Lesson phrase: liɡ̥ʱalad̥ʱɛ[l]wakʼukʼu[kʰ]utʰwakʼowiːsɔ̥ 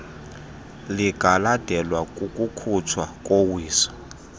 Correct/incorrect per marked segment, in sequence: correct, correct

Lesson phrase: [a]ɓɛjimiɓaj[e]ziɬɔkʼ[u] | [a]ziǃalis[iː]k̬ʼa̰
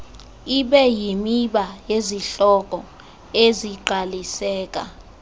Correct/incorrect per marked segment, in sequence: incorrect, correct, incorrect, incorrect, incorrect

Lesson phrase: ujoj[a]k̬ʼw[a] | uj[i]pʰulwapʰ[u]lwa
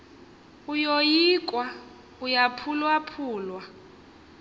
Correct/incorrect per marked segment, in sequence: incorrect, correct, incorrect, incorrect

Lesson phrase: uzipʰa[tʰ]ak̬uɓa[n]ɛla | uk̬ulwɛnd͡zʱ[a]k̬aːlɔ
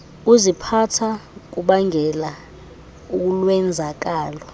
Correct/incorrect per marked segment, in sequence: correct, incorrect, correct

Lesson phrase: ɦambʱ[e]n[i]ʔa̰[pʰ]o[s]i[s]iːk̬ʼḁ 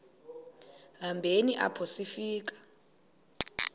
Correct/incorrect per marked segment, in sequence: correct, correct, correct, correct, incorrect

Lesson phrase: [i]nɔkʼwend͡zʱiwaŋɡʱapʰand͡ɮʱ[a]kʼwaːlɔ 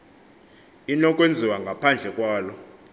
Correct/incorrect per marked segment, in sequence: correct, incorrect

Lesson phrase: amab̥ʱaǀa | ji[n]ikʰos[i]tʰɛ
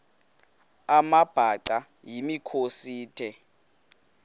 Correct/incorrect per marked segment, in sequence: incorrect, incorrect

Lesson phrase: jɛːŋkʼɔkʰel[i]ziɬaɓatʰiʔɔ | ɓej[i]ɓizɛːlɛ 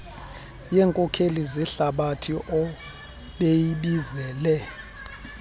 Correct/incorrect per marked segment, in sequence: correct, correct

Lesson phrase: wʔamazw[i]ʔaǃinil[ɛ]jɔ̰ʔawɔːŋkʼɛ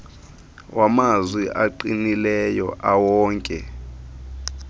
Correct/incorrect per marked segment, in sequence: correct, correct

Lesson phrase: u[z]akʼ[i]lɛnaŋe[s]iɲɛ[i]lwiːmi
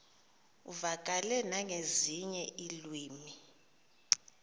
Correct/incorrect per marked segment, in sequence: incorrect, incorrect, incorrect, correct

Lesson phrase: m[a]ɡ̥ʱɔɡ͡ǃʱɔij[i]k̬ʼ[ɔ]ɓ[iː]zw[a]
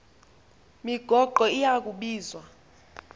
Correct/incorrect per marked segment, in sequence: incorrect, incorrect, incorrect, correct, correct

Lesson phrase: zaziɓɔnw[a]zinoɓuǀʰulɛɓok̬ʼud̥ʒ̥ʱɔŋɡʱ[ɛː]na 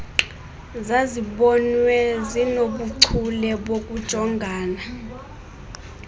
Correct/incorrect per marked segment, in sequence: incorrect, incorrect

